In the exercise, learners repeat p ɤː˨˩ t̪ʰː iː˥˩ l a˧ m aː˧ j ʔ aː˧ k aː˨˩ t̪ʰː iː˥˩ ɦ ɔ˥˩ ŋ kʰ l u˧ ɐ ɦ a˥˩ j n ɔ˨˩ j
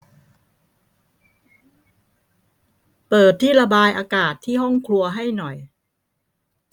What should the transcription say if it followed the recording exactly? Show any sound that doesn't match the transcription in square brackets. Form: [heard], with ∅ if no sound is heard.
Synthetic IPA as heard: p ɤː˨˩ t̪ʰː iː˥˩ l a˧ [b] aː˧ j ʔ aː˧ k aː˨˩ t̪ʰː iː˥˩ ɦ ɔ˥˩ ŋ kʰ l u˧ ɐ ɦ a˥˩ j n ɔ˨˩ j